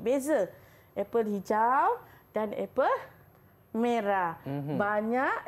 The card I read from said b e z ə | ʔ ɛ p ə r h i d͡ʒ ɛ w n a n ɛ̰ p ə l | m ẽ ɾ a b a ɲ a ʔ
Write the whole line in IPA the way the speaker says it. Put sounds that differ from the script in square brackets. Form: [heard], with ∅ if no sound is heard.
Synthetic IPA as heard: b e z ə | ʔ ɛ p ə [l] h i d͡ʒ [a] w [d] a n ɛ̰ p ə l | m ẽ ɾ a b a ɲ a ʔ